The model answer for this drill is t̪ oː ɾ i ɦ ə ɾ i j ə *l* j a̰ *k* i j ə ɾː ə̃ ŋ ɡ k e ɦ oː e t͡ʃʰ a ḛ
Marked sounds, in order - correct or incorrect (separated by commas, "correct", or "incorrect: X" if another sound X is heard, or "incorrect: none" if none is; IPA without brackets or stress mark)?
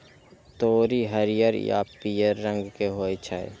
incorrect: ɾ, incorrect: p